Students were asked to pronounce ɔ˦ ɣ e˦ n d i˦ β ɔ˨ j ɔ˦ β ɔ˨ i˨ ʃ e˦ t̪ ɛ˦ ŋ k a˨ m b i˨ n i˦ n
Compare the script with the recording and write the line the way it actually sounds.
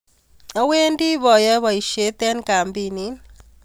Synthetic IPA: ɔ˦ w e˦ n d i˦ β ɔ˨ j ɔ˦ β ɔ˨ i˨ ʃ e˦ t̪ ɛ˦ n k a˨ m b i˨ n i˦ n